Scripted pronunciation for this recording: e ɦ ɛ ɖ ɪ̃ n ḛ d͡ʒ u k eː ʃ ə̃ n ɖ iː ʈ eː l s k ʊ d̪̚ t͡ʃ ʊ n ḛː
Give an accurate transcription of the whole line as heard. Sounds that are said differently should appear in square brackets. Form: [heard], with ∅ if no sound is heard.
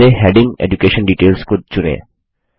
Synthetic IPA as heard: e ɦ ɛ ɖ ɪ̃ [ŋ] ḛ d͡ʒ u k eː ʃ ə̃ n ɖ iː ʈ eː l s k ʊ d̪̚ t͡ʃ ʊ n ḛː